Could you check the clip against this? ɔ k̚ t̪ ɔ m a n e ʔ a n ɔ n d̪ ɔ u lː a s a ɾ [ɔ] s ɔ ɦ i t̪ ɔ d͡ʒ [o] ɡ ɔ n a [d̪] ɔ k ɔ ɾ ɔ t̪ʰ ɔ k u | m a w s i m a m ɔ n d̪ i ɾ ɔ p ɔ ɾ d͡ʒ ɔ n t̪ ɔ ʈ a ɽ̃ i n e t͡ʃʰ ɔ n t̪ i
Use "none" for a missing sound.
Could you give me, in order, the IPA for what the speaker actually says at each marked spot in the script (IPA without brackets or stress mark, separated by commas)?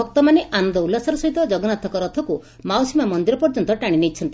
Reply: ɔ, ɔ, t̪